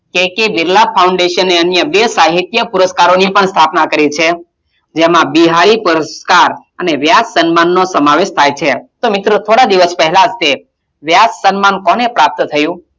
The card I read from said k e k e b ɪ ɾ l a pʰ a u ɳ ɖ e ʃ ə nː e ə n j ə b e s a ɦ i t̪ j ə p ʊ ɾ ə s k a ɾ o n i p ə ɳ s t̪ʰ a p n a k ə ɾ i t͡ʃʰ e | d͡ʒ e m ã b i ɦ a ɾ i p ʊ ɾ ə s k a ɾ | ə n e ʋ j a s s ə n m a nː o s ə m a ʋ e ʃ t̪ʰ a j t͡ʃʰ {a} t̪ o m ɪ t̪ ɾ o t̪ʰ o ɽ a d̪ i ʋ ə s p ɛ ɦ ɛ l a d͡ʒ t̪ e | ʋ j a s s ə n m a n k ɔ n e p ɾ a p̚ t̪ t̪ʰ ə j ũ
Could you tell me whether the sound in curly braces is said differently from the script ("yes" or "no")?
yes